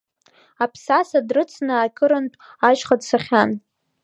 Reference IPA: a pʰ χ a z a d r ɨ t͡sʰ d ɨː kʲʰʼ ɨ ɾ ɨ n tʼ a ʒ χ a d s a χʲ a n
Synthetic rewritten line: a pʰ s a s a d r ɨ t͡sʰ n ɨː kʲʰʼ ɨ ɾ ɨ n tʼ a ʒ χ a d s a χʲ a n